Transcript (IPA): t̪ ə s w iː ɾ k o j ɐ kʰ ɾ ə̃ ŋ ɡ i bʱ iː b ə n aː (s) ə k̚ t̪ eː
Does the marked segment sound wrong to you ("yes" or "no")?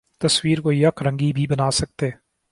no